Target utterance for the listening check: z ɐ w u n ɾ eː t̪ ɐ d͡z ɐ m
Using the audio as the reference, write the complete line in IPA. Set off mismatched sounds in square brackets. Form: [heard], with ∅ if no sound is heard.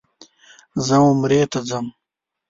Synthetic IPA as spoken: z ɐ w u [m] ɾ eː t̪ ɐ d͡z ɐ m